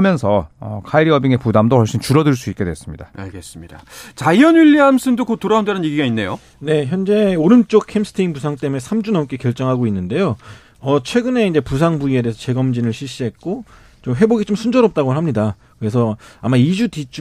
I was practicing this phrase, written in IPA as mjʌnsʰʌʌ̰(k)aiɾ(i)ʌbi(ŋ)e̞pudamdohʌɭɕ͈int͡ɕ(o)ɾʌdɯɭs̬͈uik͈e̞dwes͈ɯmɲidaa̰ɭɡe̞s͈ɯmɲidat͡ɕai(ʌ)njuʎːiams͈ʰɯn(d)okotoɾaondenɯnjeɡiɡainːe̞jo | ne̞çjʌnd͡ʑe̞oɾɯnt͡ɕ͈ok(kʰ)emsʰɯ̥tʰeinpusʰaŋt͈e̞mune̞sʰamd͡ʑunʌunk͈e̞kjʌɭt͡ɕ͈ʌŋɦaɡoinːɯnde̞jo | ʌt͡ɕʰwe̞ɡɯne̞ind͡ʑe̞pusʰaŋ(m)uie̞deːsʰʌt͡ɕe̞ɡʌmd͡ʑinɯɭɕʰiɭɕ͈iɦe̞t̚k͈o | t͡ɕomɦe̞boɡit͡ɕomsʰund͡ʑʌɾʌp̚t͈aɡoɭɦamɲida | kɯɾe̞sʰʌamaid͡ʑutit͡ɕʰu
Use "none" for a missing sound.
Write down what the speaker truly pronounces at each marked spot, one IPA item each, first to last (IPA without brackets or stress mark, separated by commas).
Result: kʰ, i, ŋ, u, ʌ, d, kʰ, b